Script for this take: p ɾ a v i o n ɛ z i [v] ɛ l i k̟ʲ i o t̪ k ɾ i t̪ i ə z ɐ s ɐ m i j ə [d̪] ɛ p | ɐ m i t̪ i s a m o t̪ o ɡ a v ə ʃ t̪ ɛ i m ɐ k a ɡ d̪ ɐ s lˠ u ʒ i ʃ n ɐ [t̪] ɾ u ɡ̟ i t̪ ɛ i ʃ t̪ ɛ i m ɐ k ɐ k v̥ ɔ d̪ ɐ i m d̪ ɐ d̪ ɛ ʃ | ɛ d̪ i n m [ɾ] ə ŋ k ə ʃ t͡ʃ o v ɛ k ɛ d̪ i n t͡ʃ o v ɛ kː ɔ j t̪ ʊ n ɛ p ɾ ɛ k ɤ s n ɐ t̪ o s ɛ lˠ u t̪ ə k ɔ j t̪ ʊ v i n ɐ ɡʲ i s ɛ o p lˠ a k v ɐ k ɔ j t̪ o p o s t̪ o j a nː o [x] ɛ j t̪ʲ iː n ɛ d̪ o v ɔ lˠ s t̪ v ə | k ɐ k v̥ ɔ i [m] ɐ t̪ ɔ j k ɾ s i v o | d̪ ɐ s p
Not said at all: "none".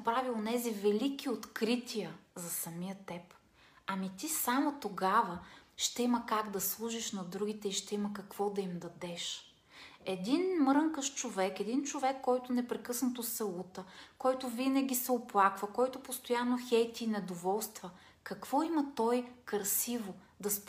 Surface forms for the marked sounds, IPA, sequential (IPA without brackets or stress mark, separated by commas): v, t̪, d̪, ɾ, x, m